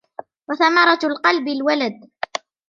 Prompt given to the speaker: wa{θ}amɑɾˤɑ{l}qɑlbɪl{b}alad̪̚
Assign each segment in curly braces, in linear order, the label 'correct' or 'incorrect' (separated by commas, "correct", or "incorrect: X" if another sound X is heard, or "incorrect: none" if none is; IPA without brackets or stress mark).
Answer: correct, correct, incorrect: w